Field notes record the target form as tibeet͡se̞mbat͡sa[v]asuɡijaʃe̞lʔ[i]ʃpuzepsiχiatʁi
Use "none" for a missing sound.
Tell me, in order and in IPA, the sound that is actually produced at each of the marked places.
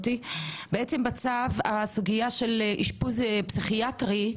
v, i

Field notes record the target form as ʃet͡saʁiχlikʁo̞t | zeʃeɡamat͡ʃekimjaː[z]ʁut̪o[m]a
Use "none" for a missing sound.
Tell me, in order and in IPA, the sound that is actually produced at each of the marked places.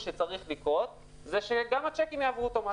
v, m

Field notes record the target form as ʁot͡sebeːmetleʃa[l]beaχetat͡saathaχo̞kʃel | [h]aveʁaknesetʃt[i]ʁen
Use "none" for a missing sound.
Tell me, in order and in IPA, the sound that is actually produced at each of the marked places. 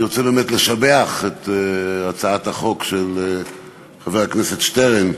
none, χ, e

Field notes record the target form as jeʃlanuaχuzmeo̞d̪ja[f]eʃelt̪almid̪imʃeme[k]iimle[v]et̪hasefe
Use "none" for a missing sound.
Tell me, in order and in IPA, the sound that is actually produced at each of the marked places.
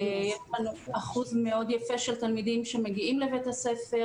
f, ɡ, v

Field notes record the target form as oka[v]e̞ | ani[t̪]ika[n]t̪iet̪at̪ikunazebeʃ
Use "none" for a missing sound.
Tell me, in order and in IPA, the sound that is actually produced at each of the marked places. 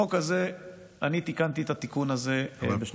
z, t̪, n

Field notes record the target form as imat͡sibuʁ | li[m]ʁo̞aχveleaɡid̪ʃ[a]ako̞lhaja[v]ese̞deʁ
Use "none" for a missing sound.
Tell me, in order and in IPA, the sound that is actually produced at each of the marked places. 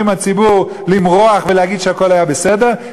m, e, b

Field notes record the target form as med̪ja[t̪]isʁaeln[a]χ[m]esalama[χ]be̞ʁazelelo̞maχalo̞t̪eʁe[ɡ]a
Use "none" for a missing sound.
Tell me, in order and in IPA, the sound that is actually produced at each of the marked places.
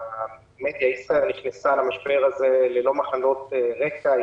none, i, n, ʃ, k

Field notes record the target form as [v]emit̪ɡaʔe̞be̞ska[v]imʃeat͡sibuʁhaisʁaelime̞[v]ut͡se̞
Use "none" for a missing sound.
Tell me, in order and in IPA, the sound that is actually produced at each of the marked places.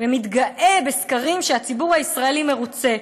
v, ʁ, ʁ

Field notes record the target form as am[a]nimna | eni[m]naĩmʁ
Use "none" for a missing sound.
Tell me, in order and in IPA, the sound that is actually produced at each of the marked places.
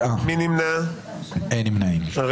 i, m

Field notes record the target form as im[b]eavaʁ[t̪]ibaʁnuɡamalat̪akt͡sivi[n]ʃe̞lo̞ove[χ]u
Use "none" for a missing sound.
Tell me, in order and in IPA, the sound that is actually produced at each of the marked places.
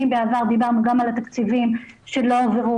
b, d̪, m, ʁ

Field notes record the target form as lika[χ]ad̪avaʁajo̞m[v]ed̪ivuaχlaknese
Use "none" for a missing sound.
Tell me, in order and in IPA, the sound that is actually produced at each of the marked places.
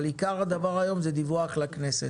ʁ, z

